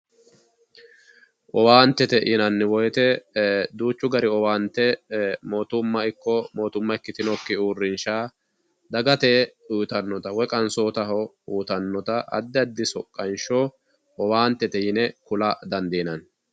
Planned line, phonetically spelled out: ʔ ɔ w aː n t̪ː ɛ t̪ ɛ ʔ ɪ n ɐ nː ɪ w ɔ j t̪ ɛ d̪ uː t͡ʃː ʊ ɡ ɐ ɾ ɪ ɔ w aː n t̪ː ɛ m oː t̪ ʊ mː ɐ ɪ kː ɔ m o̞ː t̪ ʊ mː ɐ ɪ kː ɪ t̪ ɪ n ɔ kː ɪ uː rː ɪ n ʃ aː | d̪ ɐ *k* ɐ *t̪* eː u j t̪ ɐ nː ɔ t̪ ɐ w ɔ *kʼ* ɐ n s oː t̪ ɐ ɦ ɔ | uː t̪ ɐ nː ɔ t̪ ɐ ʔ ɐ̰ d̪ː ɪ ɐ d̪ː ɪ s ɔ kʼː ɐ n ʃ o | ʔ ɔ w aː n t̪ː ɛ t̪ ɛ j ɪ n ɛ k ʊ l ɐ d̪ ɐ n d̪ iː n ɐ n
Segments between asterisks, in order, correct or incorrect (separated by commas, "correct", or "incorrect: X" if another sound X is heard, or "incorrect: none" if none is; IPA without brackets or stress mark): incorrect: ɡ, correct, correct